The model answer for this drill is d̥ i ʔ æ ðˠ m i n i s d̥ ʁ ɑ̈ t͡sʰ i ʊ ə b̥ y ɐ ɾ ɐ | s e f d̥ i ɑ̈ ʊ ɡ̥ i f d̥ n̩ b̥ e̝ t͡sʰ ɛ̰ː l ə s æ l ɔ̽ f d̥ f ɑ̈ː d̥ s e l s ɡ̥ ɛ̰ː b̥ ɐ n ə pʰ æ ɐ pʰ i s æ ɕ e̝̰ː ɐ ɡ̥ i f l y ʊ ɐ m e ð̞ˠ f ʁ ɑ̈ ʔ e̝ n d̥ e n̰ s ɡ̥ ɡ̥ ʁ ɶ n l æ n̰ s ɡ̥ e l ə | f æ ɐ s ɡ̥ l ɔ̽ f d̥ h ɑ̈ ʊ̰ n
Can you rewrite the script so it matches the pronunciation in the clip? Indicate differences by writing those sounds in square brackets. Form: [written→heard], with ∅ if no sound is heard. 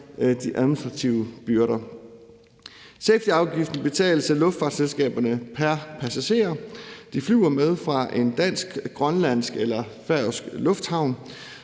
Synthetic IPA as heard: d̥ i ʔ æ ðˠ m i n i s d̥ ʁ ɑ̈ t͡sʰ i ʊ ə b̥ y ɐ ɾ ɐ | s e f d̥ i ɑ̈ ʊ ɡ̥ i f d̥ n̩ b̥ e̝ t͡sʰ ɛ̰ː l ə s æ l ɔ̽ f d̥ f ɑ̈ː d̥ s e l s ɡ̥ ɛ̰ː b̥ ɐ n ə pʰ æ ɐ pʰ [i→æ] s æ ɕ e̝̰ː ɐ [ɡ̥→d̥] i f l y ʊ ɐ m e ð̞ˠ f ʁ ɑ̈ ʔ e̝ n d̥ [e→æ] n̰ s ɡ̥ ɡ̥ ʁ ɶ n l æ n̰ s ɡ̥ e l [ə→ɐ] | f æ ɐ s ɡ̥ l ɔ̽ f d̥ h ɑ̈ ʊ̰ n

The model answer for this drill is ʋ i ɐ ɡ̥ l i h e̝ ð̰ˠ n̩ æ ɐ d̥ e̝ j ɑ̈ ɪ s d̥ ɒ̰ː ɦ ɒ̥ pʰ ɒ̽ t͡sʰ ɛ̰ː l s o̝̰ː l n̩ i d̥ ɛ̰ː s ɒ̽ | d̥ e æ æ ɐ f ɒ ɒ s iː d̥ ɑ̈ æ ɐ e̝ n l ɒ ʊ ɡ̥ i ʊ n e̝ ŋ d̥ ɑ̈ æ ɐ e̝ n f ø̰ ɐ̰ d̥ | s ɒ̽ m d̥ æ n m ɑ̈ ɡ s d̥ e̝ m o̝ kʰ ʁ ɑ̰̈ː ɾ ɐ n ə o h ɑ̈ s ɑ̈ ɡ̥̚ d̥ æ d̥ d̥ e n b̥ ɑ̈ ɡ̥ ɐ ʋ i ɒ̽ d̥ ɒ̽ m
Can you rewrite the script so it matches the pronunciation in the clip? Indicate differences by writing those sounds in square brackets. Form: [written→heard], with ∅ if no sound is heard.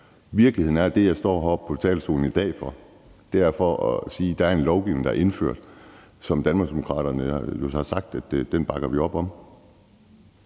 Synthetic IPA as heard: ʋ i ɐ ɡ̥ l i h e̝ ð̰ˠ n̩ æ ɐ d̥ e̝ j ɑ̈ ɪ s d̥ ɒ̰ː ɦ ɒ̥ pʰ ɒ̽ t͡sʰ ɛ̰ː l s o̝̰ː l n̩ i d̥ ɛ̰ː [s→f] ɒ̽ | d̥ e æ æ ɐ f ɒ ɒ s iː d̥ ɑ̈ æ ɐ e̝ n l ɒ ʊ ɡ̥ i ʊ n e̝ ŋ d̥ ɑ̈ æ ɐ e̝ n f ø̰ ɐ̰ d̥ | s ɒ̽ m d̥ æ n m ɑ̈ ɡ s d̥ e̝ m o̝ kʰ ʁ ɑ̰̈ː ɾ ɐ n ə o h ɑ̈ s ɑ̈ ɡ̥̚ d̥ æ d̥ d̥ e n b̥ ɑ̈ ɡ̥ ɐ ʋ i ɒ̽ [d̥→b̥] ɒ̽ m

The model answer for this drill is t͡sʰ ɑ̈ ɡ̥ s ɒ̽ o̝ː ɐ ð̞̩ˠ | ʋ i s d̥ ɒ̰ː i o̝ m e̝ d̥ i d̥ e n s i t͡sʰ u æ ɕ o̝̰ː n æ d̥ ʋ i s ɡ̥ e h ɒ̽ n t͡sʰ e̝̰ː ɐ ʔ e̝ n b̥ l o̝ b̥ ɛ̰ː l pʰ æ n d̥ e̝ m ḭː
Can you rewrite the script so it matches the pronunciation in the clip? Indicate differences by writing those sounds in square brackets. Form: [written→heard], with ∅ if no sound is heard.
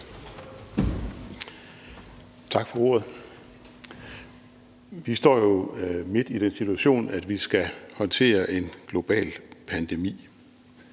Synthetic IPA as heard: t͡sʰ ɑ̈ ɡ̥ [s→f] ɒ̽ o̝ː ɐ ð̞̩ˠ | ʋ i s d̥ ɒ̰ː [i→j] o̝ m e̝ d̥ i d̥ e n s i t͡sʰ u æ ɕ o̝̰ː n æ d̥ ʋ i s ɡ̥ [e→æ] h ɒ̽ n t͡sʰ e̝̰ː ɐ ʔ e̝ n [b̥→ɡ̥] l o̝ b̥ ɛ̰ː l pʰ æ n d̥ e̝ m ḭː

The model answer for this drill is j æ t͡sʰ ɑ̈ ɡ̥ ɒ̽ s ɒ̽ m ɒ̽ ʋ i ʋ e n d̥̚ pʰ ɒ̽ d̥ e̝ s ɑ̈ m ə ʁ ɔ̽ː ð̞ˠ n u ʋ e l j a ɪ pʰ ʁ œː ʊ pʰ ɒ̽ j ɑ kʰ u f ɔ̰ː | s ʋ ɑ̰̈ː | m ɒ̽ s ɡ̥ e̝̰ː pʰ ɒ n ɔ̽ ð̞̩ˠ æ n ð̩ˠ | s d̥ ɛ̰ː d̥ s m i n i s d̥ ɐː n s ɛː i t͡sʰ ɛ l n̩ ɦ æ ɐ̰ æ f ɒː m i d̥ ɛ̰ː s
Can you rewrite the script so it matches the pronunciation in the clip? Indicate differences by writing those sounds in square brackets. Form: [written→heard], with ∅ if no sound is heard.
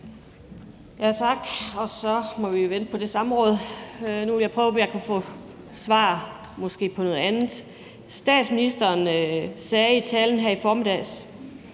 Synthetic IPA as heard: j æ t͡sʰ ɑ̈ ɡ̥ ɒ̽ s ɒ̽ m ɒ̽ ʋ i ʋ e n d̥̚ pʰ ɒ̽ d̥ e̝ s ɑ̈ m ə ʁ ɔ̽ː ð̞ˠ n u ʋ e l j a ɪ pʰ ʁ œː ʊ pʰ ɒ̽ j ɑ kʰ u f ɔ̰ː | s ʋ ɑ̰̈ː | m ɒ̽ s ɡ̥ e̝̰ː pʰ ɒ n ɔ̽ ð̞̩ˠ æ n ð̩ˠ | s d̥ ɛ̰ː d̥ s m i n i s d̥ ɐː n s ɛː i t͡sʰ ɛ l n̩ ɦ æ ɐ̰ [æ→i] f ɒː m i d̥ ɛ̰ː s

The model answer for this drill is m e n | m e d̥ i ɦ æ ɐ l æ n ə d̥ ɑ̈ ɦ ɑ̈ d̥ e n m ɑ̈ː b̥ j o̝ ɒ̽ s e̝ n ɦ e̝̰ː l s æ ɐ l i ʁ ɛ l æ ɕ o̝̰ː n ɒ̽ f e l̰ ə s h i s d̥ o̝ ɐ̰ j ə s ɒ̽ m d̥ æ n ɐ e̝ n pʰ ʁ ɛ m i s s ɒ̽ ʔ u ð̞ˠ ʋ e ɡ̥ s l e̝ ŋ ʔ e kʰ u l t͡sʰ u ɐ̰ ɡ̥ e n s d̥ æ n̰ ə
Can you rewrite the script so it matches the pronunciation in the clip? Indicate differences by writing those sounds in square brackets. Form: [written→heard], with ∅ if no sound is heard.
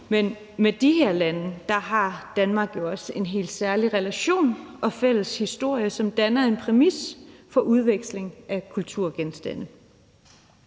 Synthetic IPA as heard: m e n | m e d̥ i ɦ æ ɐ l æ n ə d̥ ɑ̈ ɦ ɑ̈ d̥ [e→æ] n m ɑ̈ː [b̥→ɡ̥] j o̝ ɒ̽ s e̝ n ɦ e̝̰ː l s æ ɐ l i ʁ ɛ l æ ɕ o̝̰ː n ɒ̽ f e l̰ ə s h i s d̥ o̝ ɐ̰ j ə s ɒ̽ m d̥ æ n ɐ e̝ n pʰ ʁ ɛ m i s [s→f] ɒ̽ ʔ u ð̞ˠ ʋ e ɡ̥ s l e̝ ŋ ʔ [e→æ] kʰ u l t͡sʰ u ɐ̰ ɡ̥ e n s d̥ æ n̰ ə

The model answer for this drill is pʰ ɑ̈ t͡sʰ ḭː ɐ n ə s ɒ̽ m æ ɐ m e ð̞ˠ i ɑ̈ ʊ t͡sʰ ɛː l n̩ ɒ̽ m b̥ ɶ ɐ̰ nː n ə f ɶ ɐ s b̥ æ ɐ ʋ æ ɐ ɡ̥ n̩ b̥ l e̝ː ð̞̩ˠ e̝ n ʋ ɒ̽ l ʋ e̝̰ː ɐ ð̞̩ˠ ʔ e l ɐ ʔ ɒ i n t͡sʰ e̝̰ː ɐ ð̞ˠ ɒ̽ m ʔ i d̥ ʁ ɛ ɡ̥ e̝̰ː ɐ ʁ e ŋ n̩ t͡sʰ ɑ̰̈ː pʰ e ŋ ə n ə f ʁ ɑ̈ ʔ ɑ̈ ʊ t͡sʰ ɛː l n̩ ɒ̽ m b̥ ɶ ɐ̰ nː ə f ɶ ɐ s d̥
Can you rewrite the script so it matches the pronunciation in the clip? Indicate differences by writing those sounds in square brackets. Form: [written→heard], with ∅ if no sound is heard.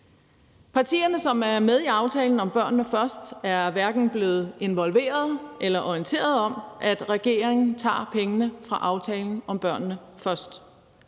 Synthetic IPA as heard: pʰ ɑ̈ t͡sʰ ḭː ɐ n ə s ɒ̽ m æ ɐ m e ð̞ˠ i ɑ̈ ʊ t͡sʰ ɛː l n̩ ɒ̽ m b̥ ɶ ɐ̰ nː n ə f ɶ ɐ s [b̥→d̥] æ ɐ ʋ æ ɐ ɡ̥ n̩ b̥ l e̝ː ð̞̩ˠ e̝ n ʋ ɒ̽ l ʋ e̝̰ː ɐ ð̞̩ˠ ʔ e l ɐ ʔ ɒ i n t͡sʰ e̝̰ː ɐ ð̞ˠ ɒ̽ m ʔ [i→æ] d̥ ʁ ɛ ɡ̥ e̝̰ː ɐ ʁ e ŋ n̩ t͡sʰ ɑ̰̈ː pʰ e ŋ ə n ə f ʁ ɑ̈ ʔ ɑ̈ ʊ t͡sʰ ɛː l n̩ ɒ̽ m b̥ ɶ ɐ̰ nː ə f ɶ ɐ s d̥

